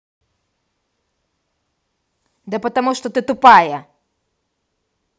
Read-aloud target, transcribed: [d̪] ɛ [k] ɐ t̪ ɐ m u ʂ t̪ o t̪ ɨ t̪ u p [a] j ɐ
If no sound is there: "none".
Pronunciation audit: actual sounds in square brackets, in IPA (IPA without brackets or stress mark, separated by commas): d̪, p, a